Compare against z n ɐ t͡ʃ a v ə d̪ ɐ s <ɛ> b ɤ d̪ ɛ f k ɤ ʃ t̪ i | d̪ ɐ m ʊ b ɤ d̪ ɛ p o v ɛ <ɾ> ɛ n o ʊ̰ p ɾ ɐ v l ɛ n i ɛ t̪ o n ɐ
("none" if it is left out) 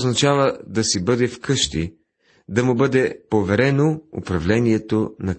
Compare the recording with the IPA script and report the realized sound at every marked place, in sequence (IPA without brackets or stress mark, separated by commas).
i, ɾ